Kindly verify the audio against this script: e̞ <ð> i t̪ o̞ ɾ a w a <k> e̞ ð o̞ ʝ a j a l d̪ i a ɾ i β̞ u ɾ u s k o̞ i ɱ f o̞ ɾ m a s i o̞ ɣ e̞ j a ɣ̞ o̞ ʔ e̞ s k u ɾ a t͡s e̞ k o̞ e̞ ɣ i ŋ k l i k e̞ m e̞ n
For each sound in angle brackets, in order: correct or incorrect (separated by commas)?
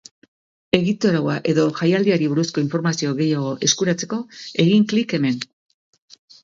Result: incorrect, incorrect